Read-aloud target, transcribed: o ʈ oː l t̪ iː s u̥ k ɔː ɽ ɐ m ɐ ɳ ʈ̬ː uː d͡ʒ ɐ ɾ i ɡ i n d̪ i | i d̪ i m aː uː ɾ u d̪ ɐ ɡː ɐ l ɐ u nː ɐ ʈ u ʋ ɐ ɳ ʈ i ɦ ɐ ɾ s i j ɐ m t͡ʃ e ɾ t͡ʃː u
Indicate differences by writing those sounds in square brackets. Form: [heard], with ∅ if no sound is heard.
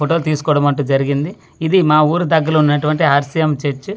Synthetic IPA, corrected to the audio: o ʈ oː l t̪ iː s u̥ k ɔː ɽ ɐ m ɐ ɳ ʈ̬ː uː d͡ʒ ɐ ɾ i ɡ i n d̪ i | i d̪ i m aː uː ɾ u d̪ ɐ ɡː ɐ l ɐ u nː ɐ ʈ u ʋ ɐ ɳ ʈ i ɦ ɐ ɾ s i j ɐ m t͡ʃ e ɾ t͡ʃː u